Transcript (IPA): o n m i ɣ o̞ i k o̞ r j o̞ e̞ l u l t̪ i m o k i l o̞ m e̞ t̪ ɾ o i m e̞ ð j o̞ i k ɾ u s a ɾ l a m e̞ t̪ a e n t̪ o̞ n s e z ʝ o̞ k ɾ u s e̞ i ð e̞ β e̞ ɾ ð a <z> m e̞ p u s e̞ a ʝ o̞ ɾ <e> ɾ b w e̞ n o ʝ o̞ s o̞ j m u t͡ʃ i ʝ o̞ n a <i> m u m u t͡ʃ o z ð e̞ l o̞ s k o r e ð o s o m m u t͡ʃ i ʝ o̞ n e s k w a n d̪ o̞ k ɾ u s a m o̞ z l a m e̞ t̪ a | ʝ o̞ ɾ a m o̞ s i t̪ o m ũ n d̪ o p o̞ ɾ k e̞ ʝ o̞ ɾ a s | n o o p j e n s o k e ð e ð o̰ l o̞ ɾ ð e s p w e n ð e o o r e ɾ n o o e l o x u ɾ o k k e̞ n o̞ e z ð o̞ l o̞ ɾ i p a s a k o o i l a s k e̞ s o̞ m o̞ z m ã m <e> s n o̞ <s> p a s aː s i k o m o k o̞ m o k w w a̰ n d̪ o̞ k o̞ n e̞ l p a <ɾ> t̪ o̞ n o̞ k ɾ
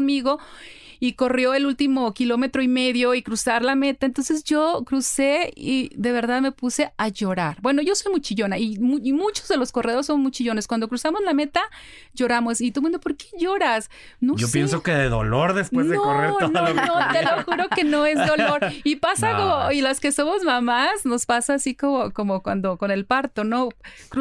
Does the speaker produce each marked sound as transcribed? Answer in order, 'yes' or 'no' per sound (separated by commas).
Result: no, no, yes, no, yes, yes